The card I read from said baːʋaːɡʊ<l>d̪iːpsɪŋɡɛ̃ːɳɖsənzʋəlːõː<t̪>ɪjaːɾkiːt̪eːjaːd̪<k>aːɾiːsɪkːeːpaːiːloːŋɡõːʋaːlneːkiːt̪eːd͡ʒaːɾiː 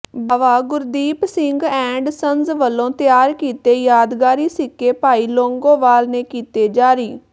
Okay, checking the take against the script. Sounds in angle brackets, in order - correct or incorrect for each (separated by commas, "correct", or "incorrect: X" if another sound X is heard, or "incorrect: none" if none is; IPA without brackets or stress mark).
incorrect: ɾ, correct, incorrect: ɡ